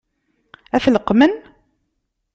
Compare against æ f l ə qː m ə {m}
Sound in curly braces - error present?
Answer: yes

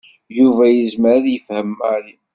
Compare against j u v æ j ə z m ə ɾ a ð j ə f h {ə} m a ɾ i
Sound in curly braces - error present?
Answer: no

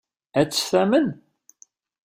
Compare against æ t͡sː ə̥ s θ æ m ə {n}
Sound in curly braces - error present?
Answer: no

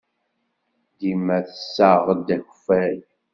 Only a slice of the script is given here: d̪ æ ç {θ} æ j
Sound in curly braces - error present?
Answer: yes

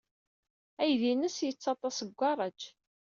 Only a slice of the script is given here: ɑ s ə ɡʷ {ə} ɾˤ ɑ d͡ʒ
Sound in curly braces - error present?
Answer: yes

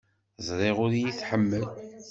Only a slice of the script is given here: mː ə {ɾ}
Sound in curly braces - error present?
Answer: yes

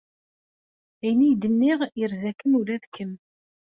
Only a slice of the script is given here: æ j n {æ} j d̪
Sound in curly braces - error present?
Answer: yes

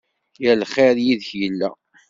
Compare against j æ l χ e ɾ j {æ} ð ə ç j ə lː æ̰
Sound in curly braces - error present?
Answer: yes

